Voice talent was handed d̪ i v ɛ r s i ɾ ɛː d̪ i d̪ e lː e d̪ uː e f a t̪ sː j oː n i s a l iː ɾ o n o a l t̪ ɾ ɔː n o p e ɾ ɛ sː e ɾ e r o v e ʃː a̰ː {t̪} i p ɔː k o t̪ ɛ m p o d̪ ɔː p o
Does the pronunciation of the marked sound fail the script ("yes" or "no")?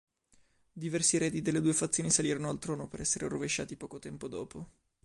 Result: no